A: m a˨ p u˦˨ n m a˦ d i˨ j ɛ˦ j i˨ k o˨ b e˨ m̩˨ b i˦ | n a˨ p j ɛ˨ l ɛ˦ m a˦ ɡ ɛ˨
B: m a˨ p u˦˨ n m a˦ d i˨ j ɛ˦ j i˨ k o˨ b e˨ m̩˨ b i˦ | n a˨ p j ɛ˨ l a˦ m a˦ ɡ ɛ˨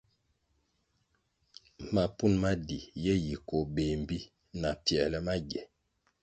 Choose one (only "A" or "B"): A